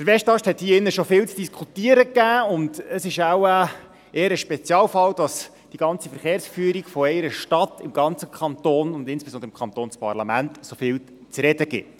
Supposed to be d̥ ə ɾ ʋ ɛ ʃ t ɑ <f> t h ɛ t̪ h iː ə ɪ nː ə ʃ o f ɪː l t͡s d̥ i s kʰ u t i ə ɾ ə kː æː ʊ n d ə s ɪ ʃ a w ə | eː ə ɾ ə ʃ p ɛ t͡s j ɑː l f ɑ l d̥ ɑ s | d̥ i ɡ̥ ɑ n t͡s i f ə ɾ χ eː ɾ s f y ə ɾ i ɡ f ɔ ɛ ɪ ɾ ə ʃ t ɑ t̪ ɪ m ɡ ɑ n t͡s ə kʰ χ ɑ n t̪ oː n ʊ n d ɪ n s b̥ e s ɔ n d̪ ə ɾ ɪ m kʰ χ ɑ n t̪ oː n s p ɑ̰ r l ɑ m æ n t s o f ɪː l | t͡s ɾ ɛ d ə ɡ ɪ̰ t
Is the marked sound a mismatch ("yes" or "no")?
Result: yes